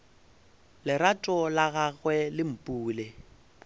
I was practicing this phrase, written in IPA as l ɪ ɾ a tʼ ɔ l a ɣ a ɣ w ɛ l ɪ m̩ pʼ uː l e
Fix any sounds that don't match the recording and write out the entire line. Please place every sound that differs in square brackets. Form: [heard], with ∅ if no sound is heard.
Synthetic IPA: l ɪ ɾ a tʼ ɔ l a ɣ a ɣ w ɛ l ɪ m̩ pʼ uː l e